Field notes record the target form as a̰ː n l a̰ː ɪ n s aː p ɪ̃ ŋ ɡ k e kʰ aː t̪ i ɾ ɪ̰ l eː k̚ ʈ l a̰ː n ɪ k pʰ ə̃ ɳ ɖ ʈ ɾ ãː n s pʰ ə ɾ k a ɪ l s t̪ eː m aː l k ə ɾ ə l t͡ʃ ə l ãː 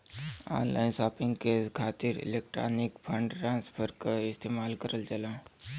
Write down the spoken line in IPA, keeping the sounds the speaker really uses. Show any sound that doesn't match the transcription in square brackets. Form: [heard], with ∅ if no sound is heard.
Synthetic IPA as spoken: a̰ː n l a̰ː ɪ n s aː p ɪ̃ ŋ ɡ k e kʰ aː t̪ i ɾ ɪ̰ l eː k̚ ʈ [ɾ] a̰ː n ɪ k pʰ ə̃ ɳ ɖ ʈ ɾ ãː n s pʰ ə ɾ k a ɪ [∅] s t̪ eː m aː l k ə ɾ ə l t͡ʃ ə l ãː